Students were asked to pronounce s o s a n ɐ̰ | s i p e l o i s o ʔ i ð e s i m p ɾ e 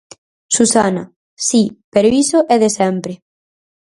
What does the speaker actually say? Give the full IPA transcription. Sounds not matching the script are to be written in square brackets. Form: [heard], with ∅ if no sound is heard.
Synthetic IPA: s [u] s a n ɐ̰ | s i p e [ɾ] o i s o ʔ [ɛ] ð e s [ɛ] m p ɾ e

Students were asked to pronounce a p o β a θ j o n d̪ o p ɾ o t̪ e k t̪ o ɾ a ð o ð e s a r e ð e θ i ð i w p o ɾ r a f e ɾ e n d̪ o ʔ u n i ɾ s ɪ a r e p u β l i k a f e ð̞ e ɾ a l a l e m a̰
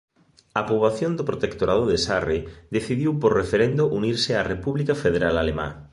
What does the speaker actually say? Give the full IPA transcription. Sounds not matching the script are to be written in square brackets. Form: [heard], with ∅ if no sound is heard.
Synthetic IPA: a p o β a θ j o n d̪ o p ɾ o t̪ e k t̪ o ɾ a ð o ð e s a r e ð e θ i ð i w p o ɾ r [e] f e ɾ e n d̪ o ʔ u n i ɾ s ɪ a r e p u β l i k a f e ð̞ e ɾ a l a l e m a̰

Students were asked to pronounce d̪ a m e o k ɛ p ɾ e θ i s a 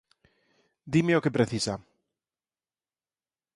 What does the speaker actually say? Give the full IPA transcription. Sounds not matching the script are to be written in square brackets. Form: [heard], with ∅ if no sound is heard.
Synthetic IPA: d̪ [i] m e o k [e] p ɾ e θ i s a

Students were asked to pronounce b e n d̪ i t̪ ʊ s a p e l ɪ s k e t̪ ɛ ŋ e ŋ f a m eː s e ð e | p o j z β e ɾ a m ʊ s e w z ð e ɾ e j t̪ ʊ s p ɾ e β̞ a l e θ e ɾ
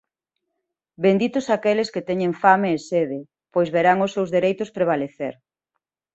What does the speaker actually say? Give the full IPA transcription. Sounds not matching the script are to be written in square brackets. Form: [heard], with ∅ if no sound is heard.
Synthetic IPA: b e n d̪ i t̪ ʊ s a [k] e l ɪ s k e t̪ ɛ [ɲ] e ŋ f a m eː s e ð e | p o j z β e ɾ a [ŋ] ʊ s e w z ð e ɾ e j t̪ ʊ s p ɾ e β̞ a l e θ e ɾ

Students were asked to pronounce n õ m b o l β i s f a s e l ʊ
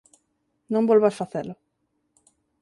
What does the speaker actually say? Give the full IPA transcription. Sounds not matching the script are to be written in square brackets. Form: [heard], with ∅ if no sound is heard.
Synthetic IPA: n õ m b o l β [a] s f a [θ] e l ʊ

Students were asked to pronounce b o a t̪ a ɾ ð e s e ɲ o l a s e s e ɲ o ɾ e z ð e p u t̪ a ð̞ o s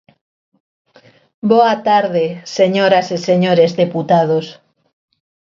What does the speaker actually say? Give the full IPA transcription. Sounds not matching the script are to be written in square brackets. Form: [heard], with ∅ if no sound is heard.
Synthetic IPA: b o a t̪ a ɾ ð e s e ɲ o [ɾ] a s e s e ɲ o ɾ e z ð e p u t̪ a ð̞ o s

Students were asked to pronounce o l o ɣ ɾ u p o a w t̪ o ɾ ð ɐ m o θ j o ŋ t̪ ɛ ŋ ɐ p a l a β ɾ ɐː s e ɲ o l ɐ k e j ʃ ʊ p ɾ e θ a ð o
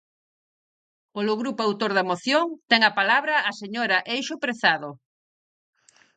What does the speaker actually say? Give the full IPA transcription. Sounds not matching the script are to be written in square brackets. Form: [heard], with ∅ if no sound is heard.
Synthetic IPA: o l o ɣ ɾ u p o a w t̪ o ɾ ð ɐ m o θ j o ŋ t̪ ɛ ŋ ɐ p a l a β ɾ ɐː s e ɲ o [ɾ] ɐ [ʔ] e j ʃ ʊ p ɾ e θ a ð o

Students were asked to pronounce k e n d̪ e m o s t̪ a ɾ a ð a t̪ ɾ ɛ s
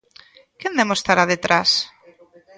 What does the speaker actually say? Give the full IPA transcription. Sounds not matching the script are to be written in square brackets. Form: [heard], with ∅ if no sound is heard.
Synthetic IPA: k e n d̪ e m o s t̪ a ɾ a ð [e] t̪ ɾ [a] s

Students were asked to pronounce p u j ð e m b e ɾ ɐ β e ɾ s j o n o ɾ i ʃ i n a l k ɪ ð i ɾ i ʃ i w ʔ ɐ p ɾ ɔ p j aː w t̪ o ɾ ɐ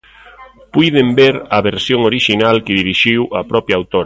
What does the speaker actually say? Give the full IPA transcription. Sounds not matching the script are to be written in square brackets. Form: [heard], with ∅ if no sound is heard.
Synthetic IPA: p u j ð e m b e ɾ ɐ β e ɾ s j o [ŋ] o ɾ i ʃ i n a l k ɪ ð i ɾ i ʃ i w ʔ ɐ p ɾ ɔ p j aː w t̪ o ɾ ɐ

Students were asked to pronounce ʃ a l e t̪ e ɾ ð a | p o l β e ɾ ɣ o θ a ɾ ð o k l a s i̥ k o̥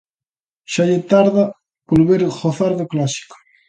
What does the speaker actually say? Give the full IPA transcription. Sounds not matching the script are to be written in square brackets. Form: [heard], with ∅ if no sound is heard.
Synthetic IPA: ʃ a [ʎ] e t̪ [a] ɾ ð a | p o l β e ɾ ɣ o θ a ɾ ð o k l a s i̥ k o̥

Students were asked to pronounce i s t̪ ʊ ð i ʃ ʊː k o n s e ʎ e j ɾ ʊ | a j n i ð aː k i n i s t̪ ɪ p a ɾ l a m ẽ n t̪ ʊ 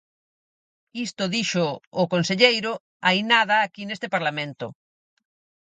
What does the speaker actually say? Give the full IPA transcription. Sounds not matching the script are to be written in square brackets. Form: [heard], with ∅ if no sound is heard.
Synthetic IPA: i s t̪ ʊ ð i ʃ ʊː k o n s e ʎ e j ɾ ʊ | a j n [a] ð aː k i n [e] s t̪ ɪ p a ɾ l a m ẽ n t̪ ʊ

